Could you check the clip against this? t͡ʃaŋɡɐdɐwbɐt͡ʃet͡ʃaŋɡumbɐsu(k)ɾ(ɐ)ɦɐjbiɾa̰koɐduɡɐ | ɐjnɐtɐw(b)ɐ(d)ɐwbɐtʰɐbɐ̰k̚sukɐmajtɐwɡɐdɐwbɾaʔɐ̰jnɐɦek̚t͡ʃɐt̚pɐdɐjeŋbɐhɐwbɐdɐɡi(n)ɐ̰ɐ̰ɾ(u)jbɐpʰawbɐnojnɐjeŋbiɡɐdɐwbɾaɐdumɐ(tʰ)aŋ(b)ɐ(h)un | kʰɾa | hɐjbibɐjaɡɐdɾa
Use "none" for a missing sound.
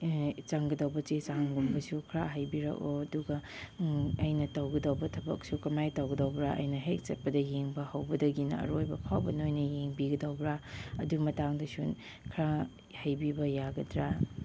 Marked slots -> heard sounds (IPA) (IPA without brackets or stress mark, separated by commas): kʰ, a, ɡ, d, n, o, t, d, s